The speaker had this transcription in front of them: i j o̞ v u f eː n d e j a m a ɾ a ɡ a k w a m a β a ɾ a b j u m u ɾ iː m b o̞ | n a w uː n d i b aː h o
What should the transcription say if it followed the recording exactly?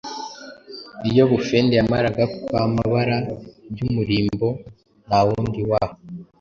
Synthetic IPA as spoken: i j o̞ β u f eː n d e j a m a ɾ a ɡ a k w a m a β a ɾ a b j u m u ɾ iː m b o̞ | n a w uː n d i w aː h o